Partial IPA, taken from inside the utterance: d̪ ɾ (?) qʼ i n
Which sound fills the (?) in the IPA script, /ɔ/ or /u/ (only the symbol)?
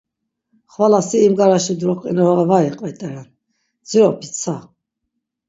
ɔ